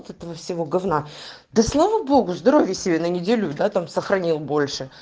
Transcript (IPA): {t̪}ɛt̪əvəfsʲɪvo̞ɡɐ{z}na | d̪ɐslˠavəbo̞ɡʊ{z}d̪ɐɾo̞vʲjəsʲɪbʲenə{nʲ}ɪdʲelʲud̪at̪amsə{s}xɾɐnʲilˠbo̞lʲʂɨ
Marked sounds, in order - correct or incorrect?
correct, incorrect: v, correct, correct, incorrect: none

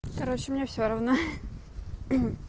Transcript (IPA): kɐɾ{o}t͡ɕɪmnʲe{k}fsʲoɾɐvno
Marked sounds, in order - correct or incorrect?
correct, incorrect: none

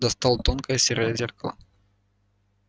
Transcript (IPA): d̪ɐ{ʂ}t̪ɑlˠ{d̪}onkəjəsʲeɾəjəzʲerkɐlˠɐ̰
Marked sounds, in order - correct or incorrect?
incorrect: s, incorrect: t̪

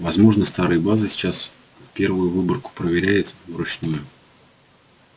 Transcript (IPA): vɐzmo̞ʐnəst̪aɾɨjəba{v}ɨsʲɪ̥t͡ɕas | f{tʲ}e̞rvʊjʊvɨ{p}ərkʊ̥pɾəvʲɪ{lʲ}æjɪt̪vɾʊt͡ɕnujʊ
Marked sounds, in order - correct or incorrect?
incorrect: z, incorrect: pʲ, incorrect: b, incorrect: ɾʲ

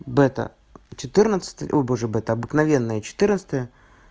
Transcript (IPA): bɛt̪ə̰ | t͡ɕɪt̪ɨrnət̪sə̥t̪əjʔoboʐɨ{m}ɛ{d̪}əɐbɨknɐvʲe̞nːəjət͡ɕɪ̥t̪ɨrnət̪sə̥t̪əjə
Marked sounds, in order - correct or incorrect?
incorrect: b, incorrect: t̪

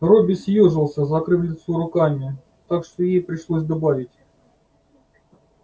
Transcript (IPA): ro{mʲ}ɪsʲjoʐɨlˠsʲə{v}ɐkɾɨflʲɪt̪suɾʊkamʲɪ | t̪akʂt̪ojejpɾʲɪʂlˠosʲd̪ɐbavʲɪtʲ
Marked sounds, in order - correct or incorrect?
incorrect: bʲ, incorrect: z

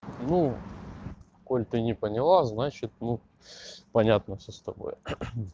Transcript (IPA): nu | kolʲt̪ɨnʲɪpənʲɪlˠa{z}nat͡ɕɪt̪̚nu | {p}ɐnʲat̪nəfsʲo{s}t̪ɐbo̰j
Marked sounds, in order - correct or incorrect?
correct, correct, correct

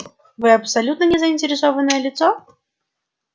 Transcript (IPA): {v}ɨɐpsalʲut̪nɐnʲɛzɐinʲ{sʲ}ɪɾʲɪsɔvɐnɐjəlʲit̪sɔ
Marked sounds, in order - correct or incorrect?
correct, incorrect: tʲ

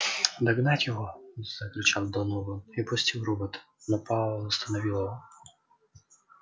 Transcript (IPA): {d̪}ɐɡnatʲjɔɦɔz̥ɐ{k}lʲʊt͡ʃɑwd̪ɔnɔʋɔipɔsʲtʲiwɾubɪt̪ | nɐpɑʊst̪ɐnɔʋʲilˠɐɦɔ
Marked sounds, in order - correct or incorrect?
correct, correct

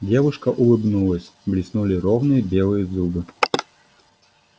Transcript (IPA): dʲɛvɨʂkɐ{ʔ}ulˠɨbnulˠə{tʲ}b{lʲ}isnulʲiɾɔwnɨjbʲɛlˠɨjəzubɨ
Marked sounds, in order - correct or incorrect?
correct, incorrect: sʲ, correct

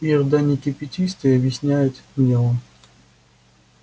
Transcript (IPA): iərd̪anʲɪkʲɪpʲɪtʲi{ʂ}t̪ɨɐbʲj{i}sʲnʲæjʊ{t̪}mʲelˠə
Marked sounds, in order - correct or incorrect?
incorrect: s, incorrect: ɪ, correct

